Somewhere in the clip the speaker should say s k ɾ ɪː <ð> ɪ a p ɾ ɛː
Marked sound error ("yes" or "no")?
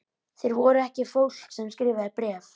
yes